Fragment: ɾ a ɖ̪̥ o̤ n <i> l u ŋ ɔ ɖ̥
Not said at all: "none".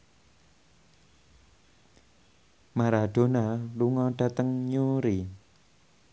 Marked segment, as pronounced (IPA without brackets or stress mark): a